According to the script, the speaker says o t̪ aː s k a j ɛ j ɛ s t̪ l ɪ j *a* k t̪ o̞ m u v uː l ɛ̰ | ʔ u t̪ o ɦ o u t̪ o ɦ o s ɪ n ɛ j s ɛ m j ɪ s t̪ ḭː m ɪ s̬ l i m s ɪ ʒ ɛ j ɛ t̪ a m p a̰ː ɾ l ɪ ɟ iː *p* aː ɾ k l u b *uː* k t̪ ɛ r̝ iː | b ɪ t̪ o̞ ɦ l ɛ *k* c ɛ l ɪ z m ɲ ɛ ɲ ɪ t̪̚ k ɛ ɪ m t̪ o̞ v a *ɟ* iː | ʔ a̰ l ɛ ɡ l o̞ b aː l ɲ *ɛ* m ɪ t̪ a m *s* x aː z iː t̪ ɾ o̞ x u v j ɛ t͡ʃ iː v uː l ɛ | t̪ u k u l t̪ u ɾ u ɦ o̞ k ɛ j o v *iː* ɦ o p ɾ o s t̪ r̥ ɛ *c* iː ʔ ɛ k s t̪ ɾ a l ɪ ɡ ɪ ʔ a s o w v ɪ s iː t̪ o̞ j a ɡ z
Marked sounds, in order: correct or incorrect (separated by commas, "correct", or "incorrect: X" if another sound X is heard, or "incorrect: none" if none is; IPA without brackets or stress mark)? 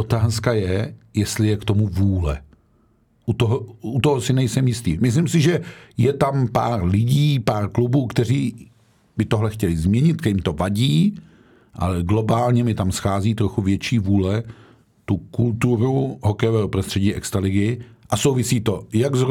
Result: incorrect: ɛ, correct, correct, incorrect: x, correct, correct, correct, incorrect: ɛː, incorrect: ɟ